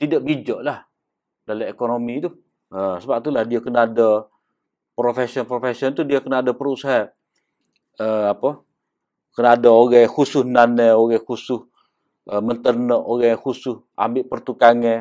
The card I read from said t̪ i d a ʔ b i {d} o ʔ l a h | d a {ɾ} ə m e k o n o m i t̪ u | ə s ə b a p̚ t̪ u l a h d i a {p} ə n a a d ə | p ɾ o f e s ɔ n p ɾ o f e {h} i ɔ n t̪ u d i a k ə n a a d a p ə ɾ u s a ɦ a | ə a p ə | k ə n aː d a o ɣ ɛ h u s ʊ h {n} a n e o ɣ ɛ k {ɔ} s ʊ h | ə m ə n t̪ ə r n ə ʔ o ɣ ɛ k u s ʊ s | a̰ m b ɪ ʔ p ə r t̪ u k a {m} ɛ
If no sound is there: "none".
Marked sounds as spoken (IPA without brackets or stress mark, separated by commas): d͡ʒ, l, k, s, n, u, ŋ